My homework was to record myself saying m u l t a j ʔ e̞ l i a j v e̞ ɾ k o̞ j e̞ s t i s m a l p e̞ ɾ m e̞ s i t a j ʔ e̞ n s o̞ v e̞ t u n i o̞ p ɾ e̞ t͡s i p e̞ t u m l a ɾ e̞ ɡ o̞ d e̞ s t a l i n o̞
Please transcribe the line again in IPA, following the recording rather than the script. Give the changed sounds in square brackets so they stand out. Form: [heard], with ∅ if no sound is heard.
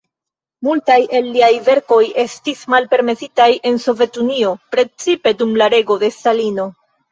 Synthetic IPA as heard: m u l t a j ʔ e̞ [lː] i a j v e̞ ɾ k o̞ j e̞ s t i s m a l p e̞ ɾ m e̞ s i t a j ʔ e̞ n s o̞ v e̞ t u n i o̞ p ɾ e̞ t͡s i p e̞ [d] u m l a ɾ e̞ ɡ o̞ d e̞ s t a l i n o̞